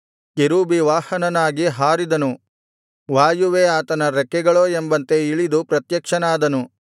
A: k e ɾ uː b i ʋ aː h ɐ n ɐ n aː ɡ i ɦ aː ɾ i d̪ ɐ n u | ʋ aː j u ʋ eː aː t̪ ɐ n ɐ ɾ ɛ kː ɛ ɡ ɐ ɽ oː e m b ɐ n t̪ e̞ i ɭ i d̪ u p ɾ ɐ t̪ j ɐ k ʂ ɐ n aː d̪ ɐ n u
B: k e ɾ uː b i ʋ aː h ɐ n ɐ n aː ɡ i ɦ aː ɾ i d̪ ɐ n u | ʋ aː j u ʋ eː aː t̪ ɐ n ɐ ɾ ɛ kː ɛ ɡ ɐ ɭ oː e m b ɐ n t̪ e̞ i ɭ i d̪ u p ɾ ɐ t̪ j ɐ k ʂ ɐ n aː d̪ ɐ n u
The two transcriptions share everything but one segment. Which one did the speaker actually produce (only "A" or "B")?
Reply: B